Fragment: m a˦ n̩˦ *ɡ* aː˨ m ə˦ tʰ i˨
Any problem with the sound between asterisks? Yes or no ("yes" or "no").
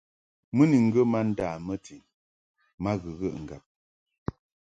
yes